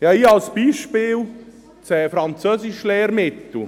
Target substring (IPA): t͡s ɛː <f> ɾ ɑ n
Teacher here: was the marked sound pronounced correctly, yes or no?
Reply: yes